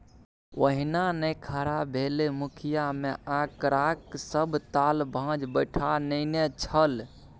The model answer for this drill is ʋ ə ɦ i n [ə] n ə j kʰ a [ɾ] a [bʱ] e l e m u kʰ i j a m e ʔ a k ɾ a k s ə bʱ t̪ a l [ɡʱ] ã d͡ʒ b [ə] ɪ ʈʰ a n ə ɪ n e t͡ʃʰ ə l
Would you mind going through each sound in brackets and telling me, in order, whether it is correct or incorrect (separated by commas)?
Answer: incorrect, correct, correct, incorrect, correct